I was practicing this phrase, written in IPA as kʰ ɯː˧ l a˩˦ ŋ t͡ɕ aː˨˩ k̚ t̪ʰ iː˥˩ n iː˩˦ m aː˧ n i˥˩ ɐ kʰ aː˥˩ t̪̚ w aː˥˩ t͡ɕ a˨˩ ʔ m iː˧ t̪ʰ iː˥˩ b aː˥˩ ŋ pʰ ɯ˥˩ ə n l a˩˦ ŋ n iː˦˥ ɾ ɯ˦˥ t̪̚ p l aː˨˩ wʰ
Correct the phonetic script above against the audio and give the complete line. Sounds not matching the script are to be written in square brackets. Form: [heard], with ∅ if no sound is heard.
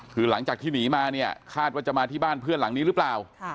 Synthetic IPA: kʰ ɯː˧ l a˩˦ ŋ t͡ɕ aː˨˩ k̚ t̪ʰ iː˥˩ n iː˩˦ m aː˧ n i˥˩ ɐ kʰ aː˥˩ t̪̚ w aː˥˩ t͡ɕ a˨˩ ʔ m [aː˧] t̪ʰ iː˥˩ b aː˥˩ [n] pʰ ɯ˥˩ ə n l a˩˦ ŋ n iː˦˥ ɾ ɯ˦˥ [∅] p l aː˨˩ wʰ